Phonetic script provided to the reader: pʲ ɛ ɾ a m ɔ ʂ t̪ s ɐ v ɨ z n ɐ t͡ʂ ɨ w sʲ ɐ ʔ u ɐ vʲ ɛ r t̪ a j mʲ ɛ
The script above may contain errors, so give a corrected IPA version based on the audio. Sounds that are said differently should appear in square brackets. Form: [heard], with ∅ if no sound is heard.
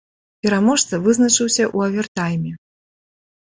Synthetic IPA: pʲ ɛ ɾ a m ɔ ʂ t̪ s ɐ v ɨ z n ɐ t͡ʂ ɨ w sʲ ɐ ʔ u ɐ vʲ ɛ r t̪ a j mʲ ɛ